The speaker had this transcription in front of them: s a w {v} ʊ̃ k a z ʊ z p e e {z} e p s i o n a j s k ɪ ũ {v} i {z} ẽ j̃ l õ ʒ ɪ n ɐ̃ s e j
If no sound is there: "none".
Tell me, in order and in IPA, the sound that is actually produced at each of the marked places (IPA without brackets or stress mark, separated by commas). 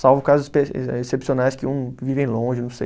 v, s, v, v